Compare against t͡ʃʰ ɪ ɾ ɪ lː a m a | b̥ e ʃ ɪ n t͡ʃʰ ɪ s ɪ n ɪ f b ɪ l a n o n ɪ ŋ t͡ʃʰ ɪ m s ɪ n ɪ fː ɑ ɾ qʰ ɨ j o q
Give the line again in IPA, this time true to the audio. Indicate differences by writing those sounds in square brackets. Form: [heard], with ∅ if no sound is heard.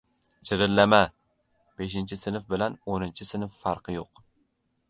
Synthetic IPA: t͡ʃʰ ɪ ɾ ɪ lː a m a | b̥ e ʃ ɪ n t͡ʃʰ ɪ s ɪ n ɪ f b ɪ l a n o n ɪ [n] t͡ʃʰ ɪ [∅] s ɪ n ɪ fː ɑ ɾ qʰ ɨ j o q